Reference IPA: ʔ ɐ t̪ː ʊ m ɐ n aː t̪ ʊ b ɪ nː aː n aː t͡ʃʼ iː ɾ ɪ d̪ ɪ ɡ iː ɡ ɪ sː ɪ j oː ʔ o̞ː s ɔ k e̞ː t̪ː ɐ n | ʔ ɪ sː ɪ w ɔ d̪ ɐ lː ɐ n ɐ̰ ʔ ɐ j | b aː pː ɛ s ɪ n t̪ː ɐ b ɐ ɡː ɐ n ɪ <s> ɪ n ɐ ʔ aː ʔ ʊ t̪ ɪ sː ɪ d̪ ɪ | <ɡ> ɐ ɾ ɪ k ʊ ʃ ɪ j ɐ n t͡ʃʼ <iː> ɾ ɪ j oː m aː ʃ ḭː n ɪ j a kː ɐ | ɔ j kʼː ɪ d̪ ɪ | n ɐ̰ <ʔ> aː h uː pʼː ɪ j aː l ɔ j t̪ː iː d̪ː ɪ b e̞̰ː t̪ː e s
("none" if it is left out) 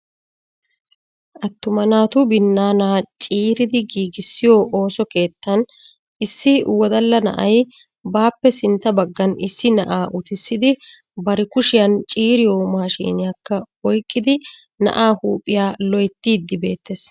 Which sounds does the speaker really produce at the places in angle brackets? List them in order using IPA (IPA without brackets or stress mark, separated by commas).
sː, b, iː, ʔ